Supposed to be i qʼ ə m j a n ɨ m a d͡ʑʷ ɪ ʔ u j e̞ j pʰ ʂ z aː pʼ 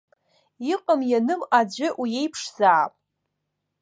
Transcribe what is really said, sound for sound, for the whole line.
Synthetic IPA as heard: i qʼ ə m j a n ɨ m a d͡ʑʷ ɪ ʔ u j e̞ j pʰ ʂ z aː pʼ